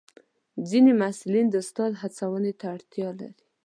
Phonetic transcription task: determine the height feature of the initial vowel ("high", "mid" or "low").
high